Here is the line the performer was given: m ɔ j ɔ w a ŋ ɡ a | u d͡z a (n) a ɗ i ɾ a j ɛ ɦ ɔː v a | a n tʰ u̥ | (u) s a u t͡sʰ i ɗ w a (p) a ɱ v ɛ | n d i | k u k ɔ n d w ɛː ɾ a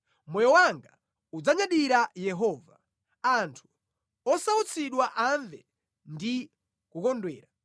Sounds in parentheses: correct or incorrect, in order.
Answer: incorrect, incorrect, incorrect

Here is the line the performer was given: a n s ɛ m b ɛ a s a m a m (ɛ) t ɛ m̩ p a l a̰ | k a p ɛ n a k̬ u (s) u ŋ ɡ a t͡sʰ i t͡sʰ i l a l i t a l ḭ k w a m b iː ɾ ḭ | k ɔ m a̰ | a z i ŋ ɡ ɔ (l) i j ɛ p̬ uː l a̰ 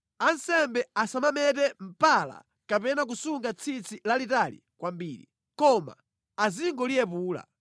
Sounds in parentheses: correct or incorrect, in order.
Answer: correct, correct, correct

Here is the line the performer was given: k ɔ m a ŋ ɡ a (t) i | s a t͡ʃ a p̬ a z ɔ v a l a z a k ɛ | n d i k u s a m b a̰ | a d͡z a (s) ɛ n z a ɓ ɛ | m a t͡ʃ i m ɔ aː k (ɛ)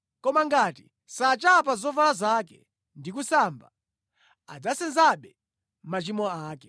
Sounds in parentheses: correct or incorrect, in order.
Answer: correct, correct, correct

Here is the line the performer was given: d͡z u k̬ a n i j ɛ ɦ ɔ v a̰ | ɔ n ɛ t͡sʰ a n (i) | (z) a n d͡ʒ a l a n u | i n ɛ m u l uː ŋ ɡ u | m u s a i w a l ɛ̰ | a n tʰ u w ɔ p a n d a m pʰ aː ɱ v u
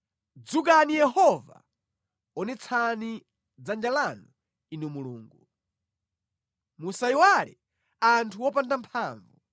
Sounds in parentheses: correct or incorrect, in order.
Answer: correct, incorrect

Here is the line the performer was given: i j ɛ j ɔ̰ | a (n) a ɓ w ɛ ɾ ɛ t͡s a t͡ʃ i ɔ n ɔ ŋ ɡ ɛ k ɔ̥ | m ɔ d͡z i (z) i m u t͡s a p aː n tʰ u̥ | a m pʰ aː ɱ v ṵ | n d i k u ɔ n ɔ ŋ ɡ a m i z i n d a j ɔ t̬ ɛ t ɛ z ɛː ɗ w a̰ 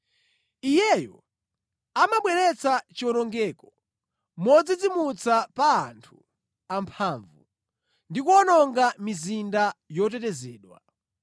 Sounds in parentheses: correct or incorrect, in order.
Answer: incorrect, incorrect

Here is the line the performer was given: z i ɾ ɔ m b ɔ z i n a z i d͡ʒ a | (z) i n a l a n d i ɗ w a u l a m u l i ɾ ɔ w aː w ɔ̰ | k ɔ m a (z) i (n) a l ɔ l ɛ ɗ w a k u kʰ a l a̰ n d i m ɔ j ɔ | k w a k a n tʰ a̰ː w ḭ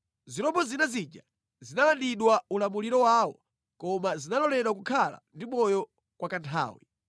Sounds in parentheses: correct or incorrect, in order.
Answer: correct, correct, correct

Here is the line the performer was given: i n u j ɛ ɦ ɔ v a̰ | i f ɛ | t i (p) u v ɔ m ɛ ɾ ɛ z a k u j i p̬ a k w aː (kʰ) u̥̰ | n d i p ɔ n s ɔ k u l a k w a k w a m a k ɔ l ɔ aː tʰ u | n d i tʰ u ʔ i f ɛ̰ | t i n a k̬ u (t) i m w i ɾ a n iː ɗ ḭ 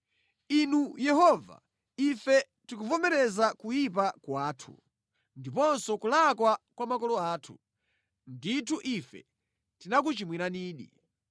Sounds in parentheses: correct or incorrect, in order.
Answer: incorrect, incorrect, incorrect

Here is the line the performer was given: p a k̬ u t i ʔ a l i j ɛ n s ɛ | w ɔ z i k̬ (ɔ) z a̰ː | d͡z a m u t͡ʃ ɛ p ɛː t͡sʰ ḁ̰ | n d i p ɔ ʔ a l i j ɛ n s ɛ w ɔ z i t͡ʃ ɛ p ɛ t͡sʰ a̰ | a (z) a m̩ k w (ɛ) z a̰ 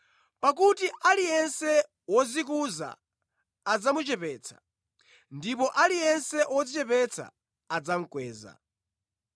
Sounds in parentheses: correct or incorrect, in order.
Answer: incorrect, incorrect, incorrect

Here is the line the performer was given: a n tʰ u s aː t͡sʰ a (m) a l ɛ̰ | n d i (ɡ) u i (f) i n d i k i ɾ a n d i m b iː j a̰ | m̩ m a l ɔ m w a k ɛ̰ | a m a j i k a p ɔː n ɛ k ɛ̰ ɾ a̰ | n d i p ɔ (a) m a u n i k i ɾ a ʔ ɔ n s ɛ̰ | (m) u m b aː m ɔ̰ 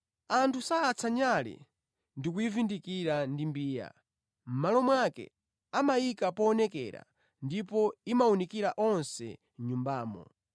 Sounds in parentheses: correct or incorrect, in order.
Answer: incorrect, incorrect, incorrect, incorrect, incorrect

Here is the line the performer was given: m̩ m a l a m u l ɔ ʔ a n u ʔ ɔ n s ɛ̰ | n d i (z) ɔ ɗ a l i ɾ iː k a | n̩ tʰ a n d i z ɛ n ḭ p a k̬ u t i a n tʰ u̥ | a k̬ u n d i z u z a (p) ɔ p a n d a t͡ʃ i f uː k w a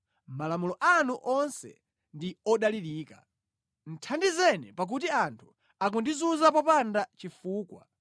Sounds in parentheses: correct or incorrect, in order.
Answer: incorrect, correct

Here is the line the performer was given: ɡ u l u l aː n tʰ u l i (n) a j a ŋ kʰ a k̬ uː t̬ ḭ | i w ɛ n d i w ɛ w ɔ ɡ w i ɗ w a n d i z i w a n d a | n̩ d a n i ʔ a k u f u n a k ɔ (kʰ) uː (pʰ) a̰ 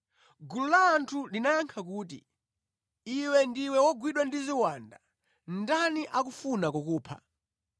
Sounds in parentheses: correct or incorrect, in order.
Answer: correct, incorrect, correct

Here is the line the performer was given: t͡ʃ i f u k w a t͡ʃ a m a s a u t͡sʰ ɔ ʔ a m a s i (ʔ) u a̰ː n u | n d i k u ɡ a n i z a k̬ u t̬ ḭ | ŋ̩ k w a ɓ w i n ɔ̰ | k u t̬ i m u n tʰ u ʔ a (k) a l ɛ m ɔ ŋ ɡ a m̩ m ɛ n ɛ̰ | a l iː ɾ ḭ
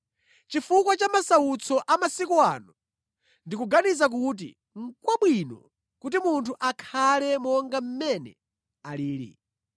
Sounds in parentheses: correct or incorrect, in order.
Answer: incorrect, incorrect

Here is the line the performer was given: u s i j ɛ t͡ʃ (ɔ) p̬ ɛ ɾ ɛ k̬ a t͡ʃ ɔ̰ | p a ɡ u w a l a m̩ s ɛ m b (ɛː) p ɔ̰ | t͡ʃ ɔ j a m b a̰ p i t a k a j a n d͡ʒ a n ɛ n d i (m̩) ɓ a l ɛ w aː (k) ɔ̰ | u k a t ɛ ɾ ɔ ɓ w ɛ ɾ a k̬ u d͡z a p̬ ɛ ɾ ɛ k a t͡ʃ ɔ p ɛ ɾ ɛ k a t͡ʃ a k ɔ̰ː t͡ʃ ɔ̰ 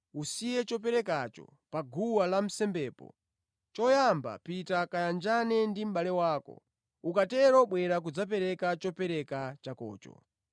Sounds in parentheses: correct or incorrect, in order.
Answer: correct, correct, correct, correct

